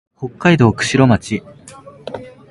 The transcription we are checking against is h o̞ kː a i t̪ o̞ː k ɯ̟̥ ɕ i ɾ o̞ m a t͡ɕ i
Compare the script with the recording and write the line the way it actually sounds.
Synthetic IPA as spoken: h o̞ kː a i d̪ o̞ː k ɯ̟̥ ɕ i ɾ o̞ m a t͡ɕ i